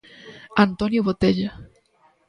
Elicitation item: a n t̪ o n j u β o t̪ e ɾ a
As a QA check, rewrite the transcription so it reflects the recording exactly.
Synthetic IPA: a n t̪ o n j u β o t̪ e ʎ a